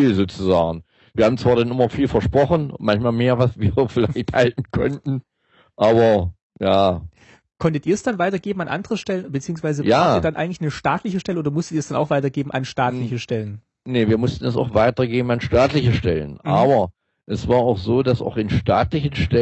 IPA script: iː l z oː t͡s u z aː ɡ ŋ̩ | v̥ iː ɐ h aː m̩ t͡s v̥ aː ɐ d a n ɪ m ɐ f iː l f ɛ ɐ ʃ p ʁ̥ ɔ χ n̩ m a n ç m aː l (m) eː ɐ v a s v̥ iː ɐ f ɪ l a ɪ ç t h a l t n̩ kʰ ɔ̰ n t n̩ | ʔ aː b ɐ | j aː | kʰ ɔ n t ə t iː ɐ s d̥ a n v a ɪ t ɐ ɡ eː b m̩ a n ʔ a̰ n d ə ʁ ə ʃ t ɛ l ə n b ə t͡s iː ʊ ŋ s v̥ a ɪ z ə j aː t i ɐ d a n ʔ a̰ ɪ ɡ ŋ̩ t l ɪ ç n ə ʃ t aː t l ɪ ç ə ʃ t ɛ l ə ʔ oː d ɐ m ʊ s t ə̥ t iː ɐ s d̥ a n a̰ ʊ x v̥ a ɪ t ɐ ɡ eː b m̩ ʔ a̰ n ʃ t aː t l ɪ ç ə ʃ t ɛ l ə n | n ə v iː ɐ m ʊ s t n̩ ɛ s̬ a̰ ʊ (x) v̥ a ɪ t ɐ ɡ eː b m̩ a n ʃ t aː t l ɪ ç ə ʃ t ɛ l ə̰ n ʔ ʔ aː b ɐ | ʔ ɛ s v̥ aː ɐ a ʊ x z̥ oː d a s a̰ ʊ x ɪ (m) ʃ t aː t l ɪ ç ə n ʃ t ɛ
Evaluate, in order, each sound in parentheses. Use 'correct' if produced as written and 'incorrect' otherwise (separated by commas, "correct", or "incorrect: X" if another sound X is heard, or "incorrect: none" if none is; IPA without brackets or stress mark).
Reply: correct, correct, incorrect: n